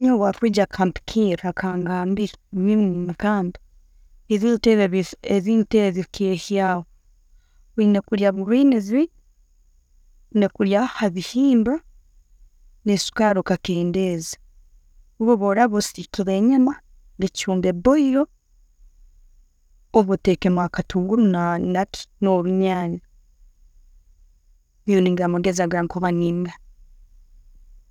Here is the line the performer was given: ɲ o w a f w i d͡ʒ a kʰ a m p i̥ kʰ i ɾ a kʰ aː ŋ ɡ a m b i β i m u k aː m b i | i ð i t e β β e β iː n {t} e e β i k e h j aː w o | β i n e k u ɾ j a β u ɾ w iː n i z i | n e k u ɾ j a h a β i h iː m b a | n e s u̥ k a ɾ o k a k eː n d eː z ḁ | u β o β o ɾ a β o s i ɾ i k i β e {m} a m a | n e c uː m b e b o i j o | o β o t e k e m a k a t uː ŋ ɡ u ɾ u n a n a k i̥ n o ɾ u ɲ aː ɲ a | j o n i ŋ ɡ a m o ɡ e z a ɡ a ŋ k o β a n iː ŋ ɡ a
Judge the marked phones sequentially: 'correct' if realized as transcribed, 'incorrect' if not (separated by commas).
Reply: correct, incorrect